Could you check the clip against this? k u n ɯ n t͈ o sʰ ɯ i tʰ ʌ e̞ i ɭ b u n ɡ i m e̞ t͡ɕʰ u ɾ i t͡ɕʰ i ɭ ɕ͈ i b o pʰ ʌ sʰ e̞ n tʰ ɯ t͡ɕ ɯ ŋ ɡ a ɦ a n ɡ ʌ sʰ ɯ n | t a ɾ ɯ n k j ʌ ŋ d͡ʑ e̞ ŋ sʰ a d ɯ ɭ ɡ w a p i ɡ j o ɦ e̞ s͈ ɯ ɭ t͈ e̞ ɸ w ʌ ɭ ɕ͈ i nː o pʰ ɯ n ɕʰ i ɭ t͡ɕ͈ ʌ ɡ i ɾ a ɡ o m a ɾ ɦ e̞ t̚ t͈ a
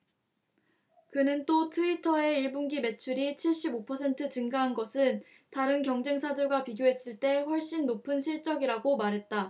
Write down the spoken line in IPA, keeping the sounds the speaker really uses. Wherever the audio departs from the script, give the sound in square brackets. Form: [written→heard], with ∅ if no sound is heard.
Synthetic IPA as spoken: k [u→ɯ] n ɯ n t͈ o [sʰ→tʰ] ɯ i tʰ ʌ e̞ i ɭ b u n ɡ i m e̞ t͡ɕʰ u ɾ i t͡ɕʰ i ɭ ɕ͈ i b o pʰ ʌ sʰ e̞ n tʰ ɯ t͡ɕ ɯ ŋ ɡ a ɦ a n ɡ ʌ sʰ ɯ n | t a ɾ ɯ n k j ʌ ŋ d͡ʑ e̞ ŋ sʰ a d ɯ ɭ ɡ w a p i ɡ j o ɦ e̞ s͈ ɯ ɭ t͈ e̞ ɸ w ʌ ɭ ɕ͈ i nː o pʰ ɯ n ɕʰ i ɭ t͡ɕ͈ ʌ ɡ i ɾ a ɡ o m a ɾ ɦ e̞ t̚ t͈ a